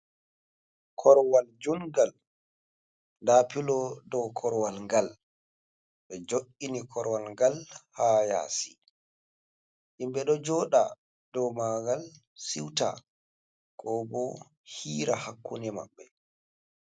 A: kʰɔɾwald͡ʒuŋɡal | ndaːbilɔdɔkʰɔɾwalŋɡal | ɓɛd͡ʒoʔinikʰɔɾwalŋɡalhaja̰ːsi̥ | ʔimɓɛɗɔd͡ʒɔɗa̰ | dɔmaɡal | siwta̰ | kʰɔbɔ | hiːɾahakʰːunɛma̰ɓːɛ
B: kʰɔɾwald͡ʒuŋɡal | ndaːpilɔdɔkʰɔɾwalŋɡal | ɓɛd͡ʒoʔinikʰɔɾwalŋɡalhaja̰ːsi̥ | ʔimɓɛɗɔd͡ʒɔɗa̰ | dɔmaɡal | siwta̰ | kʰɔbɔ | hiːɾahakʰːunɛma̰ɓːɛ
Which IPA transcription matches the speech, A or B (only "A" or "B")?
B